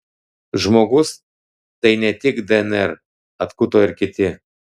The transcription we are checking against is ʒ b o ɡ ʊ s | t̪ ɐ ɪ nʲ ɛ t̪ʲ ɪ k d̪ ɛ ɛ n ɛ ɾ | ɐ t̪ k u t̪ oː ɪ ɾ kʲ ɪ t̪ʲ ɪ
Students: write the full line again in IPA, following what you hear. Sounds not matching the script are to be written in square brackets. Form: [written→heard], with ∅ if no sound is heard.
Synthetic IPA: ʒ [b→m] o ɡ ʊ s | t̪ ɐ ɪ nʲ ɛ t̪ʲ ɪ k d̪ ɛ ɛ n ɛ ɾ | ɐ t̪ k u t̪ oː ɪ ɾ kʲ ɪ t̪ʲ ɪ